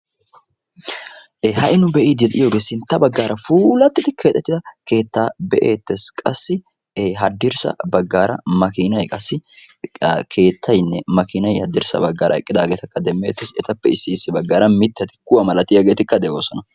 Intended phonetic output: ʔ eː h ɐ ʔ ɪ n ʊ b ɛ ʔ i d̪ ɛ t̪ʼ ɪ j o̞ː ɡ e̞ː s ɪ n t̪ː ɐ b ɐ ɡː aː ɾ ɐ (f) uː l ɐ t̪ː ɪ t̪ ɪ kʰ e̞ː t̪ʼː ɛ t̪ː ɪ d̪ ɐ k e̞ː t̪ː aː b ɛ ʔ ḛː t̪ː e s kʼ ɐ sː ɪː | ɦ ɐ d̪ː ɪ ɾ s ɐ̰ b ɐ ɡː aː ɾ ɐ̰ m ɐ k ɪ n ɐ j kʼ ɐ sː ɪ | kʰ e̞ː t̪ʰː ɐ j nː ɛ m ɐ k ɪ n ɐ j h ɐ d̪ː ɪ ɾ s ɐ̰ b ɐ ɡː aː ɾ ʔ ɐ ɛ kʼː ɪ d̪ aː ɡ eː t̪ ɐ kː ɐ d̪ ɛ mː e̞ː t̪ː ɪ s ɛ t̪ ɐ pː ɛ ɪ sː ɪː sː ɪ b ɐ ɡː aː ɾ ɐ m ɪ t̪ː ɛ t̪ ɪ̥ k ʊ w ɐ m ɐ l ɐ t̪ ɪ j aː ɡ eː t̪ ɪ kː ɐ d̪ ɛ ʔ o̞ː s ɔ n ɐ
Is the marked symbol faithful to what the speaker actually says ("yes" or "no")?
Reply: yes